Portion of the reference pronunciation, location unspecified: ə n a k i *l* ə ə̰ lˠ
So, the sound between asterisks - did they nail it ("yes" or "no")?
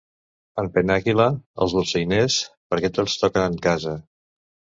yes